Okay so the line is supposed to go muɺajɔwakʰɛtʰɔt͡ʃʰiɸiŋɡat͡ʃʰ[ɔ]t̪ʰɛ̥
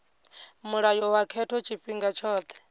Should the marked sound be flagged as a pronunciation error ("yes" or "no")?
yes